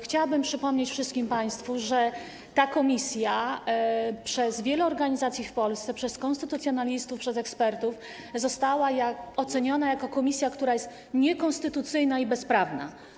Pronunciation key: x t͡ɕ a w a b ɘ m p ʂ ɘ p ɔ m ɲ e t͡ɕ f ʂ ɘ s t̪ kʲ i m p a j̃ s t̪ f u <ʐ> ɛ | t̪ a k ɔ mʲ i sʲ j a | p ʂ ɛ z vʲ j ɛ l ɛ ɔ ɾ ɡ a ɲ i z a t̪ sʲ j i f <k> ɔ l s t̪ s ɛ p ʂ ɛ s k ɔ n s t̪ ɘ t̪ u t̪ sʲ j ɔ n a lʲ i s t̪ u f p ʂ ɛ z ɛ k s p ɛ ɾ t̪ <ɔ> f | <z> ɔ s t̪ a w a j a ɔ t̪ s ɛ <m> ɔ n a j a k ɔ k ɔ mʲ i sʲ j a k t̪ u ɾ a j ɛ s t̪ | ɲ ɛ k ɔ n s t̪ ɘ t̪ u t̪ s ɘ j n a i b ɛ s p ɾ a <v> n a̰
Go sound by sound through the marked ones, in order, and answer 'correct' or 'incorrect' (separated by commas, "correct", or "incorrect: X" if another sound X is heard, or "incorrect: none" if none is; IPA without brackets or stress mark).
correct, incorrect: p, incorrect: u, correct, incorrect: ɲ, correct